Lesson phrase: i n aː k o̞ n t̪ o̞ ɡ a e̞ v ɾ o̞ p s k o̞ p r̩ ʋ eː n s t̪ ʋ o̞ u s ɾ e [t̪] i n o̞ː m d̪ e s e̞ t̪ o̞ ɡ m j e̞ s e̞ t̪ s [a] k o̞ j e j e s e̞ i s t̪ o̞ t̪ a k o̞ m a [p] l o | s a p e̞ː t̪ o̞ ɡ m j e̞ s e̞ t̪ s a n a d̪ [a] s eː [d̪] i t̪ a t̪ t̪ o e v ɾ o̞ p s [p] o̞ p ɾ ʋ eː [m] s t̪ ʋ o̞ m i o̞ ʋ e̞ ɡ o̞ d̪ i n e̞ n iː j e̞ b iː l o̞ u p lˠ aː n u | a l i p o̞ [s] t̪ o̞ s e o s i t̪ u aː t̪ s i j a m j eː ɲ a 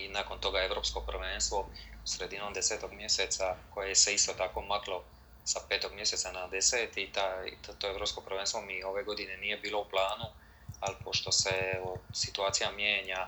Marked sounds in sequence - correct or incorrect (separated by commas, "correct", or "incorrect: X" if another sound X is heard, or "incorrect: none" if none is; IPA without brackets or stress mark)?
incorrect: d̪, correct, incorrect: k, incorrect: e, incorrect: t̪, incorrect: k, incorrect: n, incorrect: ʃ